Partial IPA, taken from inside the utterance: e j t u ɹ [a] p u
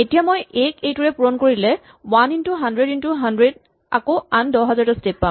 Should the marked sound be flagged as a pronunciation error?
yes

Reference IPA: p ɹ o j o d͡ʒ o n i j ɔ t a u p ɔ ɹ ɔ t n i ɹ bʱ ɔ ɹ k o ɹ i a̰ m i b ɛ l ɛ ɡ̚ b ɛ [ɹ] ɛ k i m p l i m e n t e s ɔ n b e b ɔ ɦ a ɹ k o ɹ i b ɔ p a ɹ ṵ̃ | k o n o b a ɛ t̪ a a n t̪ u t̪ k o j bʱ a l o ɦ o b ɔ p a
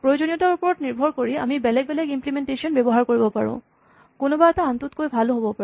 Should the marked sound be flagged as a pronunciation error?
yes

